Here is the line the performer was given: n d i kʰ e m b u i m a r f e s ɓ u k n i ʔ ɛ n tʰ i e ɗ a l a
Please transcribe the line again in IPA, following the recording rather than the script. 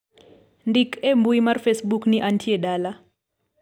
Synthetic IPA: n d i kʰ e m b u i m a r f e s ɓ u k n i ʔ a n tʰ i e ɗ a l a